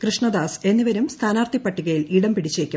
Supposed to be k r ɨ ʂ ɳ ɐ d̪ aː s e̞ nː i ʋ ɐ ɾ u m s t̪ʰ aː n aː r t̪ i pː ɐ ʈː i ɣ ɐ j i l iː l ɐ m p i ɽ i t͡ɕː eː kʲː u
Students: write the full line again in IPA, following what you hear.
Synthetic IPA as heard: k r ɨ ʂ ɳ ɐ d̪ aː s e̞ nː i ʋ ɐ ɾ u m s t̪ʰ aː n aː r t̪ i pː ɐ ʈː i ɣ ɐ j i l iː ɽ ɐ m p i ɽ i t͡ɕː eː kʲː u